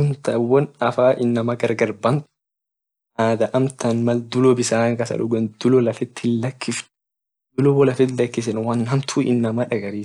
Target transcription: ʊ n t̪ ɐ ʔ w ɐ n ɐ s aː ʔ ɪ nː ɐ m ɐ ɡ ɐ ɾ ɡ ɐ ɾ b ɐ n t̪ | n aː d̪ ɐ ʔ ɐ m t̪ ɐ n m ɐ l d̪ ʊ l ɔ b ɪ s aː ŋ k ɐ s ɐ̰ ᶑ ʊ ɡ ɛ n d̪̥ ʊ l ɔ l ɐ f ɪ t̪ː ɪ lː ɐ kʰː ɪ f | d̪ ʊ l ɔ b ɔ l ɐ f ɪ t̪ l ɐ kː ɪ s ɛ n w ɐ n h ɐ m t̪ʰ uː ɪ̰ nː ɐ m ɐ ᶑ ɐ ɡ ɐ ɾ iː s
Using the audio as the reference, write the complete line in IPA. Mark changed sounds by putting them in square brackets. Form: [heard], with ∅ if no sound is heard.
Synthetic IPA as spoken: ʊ n t̪ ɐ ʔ w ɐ n ɐ [f] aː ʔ ɪ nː ɐ m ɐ ɡ ɐ ɾ ɡ ɐ ɾ b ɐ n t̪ | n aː d̪ ɐ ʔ ɐ m t̪ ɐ n m ɐ l d̪ ʊ l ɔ b ɪ s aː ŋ k ɐ s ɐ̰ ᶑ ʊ ɡ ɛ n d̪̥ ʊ l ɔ l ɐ f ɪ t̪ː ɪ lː ɐ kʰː ɪ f | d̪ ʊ l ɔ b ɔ l ɐ f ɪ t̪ l ɐ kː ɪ s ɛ n w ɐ n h ɐ m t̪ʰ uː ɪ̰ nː ɐ m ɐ ᶑ ɐ ɡ ɐ ɾ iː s